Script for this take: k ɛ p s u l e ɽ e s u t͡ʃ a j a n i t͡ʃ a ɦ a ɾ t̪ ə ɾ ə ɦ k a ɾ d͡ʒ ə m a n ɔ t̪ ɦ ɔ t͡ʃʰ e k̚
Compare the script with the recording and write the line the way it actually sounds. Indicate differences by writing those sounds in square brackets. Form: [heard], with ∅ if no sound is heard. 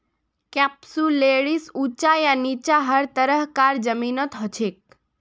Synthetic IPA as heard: k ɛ p s u l e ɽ [i] s u t͡ʃ a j a n i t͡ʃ a ɦ [ə] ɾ t̪ ə ɾ ə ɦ k a ɾ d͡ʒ ə m [i] n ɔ t̪ ɦ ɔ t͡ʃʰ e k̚